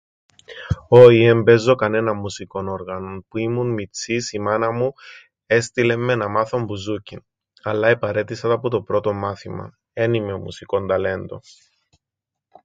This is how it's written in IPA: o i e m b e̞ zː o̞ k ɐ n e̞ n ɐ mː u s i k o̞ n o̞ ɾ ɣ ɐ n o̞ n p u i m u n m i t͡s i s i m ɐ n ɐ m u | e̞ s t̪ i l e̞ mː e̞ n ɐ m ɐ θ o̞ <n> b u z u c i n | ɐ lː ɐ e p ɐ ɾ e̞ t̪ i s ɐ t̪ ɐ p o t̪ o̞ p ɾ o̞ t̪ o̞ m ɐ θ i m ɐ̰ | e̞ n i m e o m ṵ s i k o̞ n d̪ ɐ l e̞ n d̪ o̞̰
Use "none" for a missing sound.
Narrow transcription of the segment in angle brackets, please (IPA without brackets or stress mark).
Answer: m